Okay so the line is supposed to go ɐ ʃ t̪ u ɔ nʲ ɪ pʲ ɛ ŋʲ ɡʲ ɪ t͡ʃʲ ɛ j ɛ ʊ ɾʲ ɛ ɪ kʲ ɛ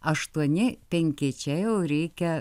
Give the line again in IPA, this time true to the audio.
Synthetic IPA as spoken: ɐ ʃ t̪ u ɔ nʲ ɪ pʲ ɛ ŋʲ kʲ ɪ t͡ʃʲ ɛ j ɛ ʊ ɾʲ ɛ ɪ kʲ ɛ